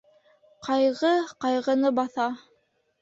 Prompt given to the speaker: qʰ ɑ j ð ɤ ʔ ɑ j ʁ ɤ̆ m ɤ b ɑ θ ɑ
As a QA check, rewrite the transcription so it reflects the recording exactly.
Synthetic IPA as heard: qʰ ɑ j ʁ ɤ q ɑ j ʁ ɤ̆ n ɤ b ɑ θ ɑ